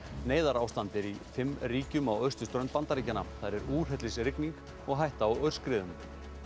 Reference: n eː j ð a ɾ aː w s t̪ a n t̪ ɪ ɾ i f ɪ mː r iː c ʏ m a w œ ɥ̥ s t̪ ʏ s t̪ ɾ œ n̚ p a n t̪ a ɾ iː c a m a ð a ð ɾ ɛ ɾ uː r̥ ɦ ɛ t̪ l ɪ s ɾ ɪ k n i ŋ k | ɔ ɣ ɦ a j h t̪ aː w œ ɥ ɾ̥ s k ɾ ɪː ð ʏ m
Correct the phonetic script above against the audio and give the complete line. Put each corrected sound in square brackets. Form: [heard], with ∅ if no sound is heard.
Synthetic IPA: n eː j ð a ɾ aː w s t̪ a n t̪ ɪ ɾ i f ɪ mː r iː c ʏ m a w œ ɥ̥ s t̪ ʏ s t̪ ɾ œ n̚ p a n t̪ a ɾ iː c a [n] a [θ] a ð ɾ ɛ ɾ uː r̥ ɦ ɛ t̪ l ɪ s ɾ ɪ k n i ŋ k | ɔ ɣ ɦ a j h t̪ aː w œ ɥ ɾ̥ s k ɾ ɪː ð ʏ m